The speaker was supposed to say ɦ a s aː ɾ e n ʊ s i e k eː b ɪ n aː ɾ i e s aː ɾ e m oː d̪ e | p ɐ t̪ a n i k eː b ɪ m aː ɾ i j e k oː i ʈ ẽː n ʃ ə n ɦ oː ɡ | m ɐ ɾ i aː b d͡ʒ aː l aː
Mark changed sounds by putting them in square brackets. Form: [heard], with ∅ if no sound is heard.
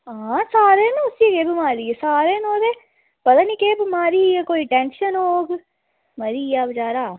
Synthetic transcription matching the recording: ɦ a s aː ɾ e n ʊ s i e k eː b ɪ [m] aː ɾ i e s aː ɾ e [n] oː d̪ e | p ɐ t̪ a n i k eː b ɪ m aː ɾ i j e k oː i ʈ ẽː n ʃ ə n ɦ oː ɡ | m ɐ ɾ i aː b d͡ʒ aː [ɾ] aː